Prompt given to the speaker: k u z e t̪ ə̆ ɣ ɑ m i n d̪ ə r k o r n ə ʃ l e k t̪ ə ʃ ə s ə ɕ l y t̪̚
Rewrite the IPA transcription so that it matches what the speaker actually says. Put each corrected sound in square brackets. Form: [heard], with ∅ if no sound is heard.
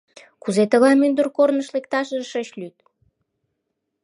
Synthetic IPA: k u z e t̪ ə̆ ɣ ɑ m [y] n d̪ ə r k o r n ə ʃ l e k t̪ [ɑ] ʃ ə [ʃ] ə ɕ l y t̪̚